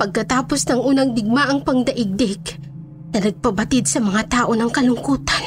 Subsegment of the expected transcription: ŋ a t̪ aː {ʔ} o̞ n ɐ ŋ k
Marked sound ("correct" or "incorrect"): correct